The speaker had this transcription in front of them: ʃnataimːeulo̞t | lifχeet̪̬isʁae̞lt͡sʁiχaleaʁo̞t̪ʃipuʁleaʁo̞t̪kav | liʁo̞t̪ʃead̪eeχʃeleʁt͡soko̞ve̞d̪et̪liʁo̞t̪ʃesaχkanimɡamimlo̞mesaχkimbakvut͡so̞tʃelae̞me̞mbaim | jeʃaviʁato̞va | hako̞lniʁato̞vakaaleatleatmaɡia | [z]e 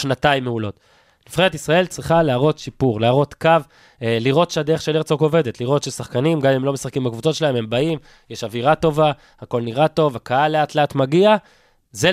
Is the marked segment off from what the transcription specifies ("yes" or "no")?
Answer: no